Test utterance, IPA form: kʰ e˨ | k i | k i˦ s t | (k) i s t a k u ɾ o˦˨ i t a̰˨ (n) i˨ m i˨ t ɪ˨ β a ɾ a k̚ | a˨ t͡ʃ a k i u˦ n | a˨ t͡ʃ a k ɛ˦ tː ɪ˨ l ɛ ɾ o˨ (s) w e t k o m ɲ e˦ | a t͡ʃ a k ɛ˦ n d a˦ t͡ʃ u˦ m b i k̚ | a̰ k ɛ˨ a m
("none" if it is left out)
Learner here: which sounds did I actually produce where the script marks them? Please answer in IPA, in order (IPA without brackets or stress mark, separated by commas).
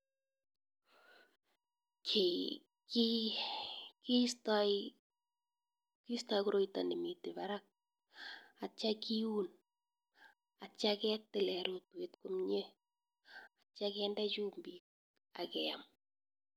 k, n, t